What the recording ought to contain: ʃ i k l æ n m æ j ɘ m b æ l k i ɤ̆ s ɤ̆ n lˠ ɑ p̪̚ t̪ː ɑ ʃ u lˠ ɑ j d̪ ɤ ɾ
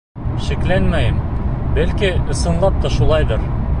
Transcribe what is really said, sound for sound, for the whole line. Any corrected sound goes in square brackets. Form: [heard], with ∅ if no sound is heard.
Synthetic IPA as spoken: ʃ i k l æ n m æ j ɘ m b æ l k i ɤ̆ s ɤ̆ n lˠ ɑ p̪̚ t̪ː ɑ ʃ u lˠ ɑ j d̪ ɤ ɾ